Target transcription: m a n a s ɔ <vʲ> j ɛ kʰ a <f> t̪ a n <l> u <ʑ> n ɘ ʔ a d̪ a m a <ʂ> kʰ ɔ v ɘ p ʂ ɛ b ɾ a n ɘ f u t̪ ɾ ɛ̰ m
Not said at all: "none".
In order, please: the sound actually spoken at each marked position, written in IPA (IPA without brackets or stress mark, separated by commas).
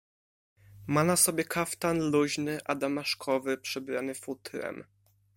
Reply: bʲ, f, l, ʑ, ʂ